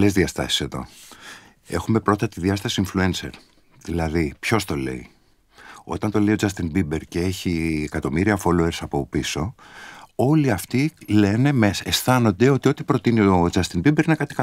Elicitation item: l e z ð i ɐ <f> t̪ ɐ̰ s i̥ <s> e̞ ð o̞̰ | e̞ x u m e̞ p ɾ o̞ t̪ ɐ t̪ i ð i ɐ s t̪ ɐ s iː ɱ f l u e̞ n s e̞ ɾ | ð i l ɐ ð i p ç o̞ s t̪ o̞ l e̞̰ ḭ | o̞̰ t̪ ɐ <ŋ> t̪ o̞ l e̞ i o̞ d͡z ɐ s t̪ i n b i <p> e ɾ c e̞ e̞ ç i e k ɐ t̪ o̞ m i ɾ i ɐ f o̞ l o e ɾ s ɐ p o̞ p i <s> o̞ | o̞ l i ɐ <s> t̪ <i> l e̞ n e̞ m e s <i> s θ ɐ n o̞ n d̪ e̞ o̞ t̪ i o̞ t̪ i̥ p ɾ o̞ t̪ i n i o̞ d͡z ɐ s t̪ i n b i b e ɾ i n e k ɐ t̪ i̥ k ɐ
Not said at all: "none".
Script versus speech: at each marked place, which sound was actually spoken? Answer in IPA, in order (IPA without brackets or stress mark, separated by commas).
s, s, n, b, s, f, i, e